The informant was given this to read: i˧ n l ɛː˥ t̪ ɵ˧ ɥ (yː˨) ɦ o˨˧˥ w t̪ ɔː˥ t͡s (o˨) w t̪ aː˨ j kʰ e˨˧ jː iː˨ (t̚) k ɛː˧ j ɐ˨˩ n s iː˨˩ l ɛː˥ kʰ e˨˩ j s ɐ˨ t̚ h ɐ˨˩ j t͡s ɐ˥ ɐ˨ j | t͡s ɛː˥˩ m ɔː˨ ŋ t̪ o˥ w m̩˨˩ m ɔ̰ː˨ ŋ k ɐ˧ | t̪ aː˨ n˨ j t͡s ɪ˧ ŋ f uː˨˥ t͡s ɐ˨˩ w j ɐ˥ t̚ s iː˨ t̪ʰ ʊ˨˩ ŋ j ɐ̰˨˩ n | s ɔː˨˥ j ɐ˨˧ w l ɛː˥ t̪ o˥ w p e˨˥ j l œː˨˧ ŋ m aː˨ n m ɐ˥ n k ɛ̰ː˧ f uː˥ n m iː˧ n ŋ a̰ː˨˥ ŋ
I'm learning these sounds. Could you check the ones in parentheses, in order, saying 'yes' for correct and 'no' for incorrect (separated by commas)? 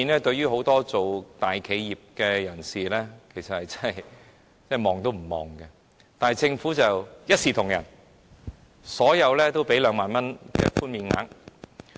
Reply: no, yes, no